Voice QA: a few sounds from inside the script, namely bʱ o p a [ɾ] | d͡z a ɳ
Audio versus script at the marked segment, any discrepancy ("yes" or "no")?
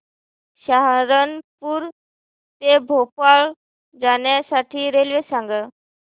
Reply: yes